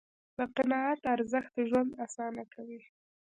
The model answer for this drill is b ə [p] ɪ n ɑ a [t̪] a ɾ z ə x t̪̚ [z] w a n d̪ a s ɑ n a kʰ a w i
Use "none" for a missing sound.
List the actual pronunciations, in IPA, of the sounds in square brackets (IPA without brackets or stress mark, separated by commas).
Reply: q, t̪, ʒ